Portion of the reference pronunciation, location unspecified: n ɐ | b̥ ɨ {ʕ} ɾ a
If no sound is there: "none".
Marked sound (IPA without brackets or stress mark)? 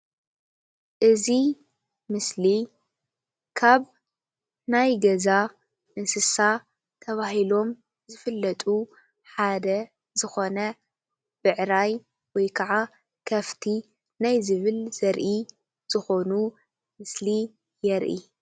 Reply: ʕ